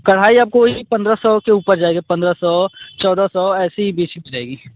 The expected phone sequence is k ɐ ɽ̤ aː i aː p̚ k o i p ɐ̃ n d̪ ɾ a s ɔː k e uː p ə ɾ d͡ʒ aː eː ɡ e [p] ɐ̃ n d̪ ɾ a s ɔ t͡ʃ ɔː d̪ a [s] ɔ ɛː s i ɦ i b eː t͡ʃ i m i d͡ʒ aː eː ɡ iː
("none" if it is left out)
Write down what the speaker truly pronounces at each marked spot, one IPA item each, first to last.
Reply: p, s

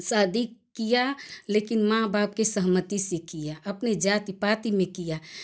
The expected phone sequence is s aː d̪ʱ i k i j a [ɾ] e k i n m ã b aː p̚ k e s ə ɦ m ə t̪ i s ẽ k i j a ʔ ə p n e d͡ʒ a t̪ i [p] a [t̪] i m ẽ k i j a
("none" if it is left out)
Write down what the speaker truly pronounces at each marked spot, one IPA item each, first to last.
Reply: l, p, t̪

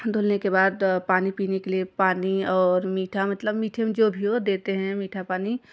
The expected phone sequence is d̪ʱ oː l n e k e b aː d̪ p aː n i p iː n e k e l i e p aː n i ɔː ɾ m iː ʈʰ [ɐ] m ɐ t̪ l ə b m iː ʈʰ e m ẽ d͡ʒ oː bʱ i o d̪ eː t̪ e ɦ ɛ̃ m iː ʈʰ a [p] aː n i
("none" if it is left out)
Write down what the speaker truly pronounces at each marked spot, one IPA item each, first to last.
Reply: a, p

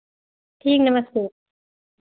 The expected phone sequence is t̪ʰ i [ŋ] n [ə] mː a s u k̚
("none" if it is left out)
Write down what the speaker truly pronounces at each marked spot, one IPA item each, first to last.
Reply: ŋ, a

